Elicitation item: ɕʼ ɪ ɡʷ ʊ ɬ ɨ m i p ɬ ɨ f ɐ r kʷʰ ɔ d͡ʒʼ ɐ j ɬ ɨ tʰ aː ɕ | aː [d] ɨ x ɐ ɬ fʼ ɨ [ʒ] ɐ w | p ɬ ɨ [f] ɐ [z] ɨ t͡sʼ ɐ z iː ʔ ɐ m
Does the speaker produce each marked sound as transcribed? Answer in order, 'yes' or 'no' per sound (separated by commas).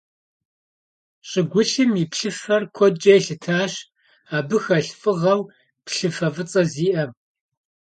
no, no, yes, no